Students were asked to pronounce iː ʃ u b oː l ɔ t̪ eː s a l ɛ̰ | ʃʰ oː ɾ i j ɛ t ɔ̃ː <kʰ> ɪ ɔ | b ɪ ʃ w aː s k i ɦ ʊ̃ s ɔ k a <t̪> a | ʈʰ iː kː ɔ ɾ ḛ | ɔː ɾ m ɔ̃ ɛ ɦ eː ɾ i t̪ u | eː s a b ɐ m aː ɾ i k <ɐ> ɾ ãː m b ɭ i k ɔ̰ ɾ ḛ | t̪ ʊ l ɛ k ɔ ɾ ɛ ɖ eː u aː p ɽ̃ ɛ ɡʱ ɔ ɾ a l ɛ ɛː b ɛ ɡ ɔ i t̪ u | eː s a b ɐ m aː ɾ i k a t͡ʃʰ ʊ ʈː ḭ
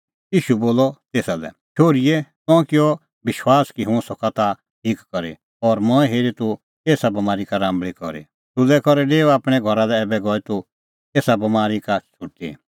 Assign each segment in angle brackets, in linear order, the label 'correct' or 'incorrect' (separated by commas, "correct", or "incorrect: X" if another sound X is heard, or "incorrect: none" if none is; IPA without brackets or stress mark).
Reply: incorrect: k, correct, incorrect: a